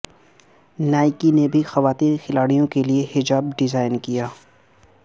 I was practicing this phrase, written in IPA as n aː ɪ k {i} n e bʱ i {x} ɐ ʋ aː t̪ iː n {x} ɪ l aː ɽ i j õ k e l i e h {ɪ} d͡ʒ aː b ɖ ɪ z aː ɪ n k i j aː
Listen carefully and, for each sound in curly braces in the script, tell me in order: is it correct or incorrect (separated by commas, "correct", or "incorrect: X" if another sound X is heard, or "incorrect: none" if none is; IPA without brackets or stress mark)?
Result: correct, correct, correct, correct